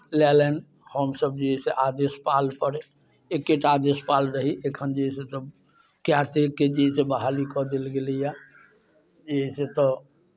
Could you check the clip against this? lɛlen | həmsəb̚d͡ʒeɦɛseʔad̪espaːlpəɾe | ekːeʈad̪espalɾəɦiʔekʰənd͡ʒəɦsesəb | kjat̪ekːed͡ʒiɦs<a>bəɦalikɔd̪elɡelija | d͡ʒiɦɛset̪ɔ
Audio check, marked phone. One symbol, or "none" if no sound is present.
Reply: e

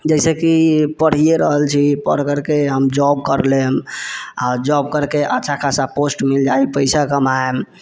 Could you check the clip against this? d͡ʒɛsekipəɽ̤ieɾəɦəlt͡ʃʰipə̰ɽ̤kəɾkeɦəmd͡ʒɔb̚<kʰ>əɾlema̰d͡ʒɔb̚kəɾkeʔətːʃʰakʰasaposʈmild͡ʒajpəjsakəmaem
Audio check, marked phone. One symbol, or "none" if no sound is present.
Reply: k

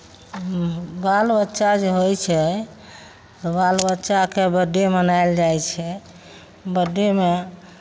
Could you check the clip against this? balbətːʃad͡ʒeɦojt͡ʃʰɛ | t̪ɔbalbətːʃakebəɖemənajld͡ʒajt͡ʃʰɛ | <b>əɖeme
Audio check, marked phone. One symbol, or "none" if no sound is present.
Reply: b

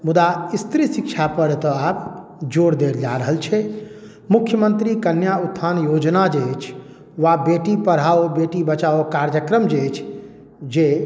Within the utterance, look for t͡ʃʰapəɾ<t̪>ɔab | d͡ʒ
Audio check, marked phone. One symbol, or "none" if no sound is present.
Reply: t̪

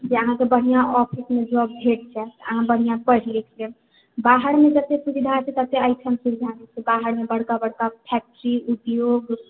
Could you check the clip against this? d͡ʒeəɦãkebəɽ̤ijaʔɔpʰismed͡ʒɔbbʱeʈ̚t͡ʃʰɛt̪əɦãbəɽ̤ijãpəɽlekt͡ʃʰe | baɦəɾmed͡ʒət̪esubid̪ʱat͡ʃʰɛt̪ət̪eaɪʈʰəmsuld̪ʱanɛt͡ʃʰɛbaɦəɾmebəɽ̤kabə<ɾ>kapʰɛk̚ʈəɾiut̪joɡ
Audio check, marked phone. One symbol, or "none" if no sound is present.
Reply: ɽ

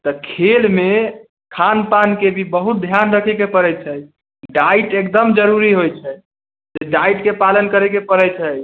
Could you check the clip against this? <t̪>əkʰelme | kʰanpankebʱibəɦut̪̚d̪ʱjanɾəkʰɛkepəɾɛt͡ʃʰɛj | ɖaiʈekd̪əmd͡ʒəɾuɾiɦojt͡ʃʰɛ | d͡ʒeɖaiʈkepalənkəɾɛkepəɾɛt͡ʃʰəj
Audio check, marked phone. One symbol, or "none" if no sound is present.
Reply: t̪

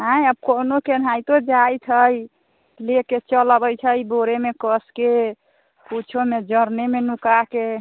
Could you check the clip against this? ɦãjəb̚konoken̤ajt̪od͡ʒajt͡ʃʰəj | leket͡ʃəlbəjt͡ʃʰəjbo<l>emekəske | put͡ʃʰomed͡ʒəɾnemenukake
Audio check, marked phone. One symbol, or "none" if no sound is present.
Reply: ɾ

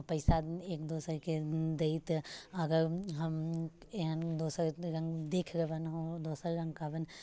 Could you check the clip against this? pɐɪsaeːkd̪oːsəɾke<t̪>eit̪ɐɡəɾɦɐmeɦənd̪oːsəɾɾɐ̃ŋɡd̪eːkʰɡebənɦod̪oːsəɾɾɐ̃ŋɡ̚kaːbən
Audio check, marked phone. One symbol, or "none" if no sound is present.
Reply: d̪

